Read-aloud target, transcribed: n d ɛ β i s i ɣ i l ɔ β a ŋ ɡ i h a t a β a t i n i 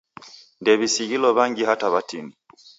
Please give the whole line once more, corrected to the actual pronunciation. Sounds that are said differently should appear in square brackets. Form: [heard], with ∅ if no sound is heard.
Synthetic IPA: n d ɛ β i s i ɣ i l ɔ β a ŋ ɡ i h a t a β a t i n i